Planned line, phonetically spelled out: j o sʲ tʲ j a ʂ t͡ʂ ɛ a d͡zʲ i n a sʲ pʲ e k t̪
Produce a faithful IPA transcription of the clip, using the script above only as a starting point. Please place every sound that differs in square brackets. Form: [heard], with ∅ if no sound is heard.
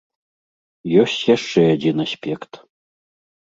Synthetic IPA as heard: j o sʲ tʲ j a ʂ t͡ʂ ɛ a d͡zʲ i n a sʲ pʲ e k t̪